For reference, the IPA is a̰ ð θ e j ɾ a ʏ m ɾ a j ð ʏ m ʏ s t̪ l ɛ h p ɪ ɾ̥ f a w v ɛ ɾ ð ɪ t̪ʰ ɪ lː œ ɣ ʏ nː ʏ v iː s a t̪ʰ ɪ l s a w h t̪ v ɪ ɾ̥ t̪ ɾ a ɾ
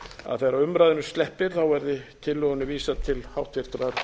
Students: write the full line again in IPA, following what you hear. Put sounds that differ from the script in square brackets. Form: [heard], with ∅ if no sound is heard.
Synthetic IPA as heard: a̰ ð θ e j ɾ a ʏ m ɾ a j ð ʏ [n] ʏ s t̪ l ɛ h p ɪ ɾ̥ [θ] a w v ɛ ɾ ð ɪ t̪ʰ ɪ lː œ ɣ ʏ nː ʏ v iː s a t̪ʰ ɪ l [h] a w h t̪ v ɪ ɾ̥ t̪ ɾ a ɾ